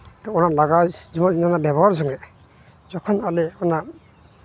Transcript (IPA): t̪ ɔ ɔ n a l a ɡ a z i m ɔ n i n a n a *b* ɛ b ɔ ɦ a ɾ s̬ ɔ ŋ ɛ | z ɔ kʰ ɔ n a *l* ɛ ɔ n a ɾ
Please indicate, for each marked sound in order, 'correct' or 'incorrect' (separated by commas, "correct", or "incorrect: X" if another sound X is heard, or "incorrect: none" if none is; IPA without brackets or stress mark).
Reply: correct, correct